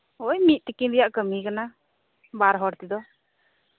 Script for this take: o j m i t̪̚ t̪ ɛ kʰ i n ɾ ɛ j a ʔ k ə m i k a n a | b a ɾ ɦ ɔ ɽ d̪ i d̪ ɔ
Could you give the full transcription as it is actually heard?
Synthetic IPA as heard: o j m i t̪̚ t̪ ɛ k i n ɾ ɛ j a ʔ k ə m i k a n a | b a ɾ ɦ ɔ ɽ t̪ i d̪ ɔ